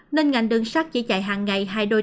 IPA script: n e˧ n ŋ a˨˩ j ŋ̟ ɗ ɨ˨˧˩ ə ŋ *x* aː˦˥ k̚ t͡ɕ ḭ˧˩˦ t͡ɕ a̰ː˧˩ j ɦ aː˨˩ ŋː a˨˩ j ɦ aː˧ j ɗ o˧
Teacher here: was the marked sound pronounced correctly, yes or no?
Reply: no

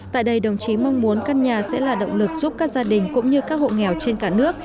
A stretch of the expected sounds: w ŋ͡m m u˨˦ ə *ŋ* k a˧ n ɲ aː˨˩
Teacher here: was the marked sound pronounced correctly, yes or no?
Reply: no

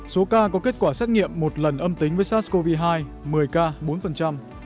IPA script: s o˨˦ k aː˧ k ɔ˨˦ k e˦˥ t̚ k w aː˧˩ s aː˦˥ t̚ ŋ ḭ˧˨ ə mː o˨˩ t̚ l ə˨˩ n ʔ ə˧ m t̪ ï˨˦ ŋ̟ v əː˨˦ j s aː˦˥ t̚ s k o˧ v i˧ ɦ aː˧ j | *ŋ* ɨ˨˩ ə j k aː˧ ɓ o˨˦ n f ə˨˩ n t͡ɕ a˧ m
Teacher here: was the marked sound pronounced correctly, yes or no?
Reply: no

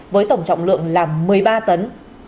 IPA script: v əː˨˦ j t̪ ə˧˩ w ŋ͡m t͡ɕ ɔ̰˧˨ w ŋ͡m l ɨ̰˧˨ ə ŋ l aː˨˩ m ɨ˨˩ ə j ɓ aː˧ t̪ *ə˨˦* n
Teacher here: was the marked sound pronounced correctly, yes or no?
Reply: yes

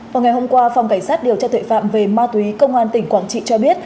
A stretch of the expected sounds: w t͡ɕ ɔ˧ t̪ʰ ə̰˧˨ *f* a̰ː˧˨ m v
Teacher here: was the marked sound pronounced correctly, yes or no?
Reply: yes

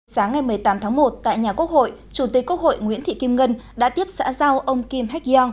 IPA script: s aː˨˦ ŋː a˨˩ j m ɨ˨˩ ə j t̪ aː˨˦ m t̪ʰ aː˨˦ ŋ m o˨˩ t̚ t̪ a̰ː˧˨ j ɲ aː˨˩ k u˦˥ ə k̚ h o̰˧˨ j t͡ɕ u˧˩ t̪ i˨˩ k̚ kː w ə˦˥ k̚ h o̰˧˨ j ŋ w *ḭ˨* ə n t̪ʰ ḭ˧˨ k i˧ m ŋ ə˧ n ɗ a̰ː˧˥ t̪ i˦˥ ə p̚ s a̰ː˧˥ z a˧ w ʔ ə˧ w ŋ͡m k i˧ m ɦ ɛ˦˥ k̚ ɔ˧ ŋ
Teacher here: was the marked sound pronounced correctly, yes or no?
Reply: no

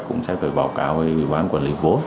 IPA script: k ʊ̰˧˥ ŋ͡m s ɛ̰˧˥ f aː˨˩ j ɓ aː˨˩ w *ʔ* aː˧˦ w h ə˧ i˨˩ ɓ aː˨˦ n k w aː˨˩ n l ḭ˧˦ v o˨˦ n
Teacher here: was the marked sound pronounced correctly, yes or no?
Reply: no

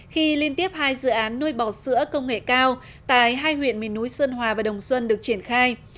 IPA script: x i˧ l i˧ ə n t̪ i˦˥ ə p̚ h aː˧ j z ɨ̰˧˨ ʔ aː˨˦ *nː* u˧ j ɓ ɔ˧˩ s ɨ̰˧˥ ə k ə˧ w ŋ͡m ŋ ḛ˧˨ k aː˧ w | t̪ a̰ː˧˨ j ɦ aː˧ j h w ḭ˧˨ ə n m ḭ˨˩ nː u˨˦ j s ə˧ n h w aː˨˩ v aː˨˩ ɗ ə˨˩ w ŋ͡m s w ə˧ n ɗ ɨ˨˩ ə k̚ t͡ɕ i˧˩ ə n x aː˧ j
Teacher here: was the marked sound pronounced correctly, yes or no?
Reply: yes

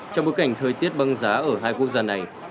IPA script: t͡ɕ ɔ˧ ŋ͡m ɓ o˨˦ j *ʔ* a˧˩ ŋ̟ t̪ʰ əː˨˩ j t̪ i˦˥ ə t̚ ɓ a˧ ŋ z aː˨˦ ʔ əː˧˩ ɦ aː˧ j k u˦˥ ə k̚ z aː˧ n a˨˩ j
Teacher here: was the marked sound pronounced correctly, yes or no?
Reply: no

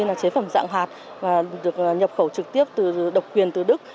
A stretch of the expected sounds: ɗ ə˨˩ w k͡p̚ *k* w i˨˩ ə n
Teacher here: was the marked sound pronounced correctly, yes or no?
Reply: yes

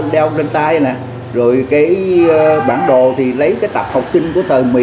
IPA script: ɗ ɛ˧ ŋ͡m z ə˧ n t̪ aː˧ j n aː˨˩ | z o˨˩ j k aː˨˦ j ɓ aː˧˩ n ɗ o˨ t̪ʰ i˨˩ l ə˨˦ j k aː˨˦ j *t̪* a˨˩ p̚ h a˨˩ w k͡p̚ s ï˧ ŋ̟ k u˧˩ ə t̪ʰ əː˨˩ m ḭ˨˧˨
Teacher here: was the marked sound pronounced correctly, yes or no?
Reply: yes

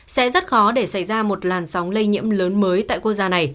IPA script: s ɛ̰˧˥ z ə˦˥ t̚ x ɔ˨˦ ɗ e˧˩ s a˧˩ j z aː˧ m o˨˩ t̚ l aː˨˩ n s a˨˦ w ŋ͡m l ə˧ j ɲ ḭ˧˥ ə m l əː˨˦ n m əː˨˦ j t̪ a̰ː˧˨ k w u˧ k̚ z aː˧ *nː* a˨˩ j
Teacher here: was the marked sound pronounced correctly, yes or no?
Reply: no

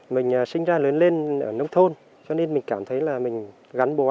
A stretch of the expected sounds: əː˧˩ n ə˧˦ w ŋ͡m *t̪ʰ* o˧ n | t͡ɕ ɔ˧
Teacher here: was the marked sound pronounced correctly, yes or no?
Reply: yes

